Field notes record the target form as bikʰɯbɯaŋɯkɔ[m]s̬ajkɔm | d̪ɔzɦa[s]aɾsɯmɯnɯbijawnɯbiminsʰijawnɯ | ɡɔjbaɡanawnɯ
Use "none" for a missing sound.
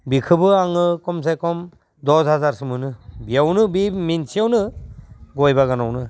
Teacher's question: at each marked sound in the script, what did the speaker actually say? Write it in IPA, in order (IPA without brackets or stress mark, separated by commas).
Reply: m, z